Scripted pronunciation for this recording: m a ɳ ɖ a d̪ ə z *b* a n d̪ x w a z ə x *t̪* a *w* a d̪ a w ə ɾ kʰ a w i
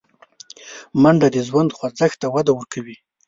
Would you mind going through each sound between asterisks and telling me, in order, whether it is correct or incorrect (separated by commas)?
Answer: incorrect, correct, correct